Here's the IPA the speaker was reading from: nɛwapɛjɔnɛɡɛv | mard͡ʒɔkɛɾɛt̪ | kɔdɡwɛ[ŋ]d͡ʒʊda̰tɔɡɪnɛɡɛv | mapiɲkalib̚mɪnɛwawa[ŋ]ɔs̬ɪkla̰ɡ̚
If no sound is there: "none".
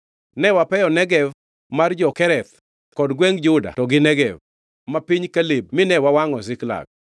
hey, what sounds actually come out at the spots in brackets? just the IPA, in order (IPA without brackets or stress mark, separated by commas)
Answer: ŋ, ŋ